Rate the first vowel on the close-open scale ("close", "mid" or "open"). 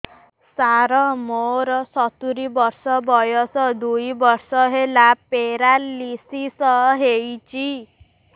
open